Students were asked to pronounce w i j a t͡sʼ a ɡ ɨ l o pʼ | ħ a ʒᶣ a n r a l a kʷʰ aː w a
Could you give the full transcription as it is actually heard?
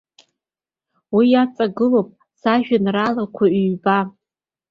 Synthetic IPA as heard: w i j a t͡sʼ a ɡ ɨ l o pʼ | s a ʒᶣ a n r a l a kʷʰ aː b a